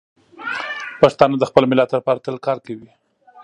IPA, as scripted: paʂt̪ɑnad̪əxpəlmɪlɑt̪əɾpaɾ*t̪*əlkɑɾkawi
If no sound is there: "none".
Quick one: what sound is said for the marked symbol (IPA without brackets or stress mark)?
t̪